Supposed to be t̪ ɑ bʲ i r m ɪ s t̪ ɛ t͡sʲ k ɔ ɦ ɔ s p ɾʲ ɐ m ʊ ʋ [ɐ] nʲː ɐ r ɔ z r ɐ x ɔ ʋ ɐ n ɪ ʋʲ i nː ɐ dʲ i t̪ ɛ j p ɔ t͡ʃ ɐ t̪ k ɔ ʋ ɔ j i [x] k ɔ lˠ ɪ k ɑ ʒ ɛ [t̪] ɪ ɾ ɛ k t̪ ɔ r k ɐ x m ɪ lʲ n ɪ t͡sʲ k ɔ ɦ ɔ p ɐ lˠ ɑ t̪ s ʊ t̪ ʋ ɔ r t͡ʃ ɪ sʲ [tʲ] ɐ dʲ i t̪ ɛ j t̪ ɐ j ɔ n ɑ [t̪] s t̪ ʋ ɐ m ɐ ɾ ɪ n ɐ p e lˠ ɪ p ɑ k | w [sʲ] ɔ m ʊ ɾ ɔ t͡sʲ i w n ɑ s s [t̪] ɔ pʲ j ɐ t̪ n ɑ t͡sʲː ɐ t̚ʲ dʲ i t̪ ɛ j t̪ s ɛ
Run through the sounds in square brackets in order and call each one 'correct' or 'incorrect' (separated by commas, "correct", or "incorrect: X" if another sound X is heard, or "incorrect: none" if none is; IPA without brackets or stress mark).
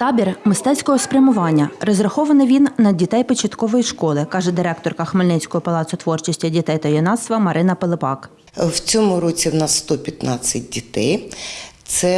incorrect: ɑ, incorrect: ʃ, incorrect: d̪, correct, correct, incorrect: t͡sʲ, correct